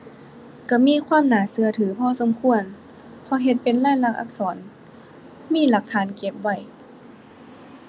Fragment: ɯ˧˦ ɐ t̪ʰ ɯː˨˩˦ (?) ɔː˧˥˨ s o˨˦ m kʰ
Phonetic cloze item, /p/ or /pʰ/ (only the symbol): pʰ